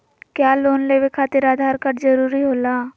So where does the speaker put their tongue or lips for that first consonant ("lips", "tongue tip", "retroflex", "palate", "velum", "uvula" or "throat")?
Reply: velum